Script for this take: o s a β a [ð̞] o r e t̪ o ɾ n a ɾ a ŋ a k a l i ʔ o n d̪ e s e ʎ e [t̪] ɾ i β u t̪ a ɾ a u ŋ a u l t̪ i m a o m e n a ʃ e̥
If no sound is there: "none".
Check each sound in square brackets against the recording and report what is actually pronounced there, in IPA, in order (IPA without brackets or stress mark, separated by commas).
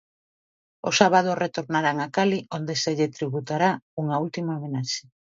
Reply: ð̞, t̪